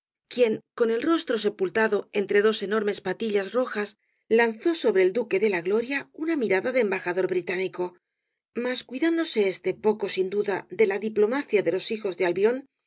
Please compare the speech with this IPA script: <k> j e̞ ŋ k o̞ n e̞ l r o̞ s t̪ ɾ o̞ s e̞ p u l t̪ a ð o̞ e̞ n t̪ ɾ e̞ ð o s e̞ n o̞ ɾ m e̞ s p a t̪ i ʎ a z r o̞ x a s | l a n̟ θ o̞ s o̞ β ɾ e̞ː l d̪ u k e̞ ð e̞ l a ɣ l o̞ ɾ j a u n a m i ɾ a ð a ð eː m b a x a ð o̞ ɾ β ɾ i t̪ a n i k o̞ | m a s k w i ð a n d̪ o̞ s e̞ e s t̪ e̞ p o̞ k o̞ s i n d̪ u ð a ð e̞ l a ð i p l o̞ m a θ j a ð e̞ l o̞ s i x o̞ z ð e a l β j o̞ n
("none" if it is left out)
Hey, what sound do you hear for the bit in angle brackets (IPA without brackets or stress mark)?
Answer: k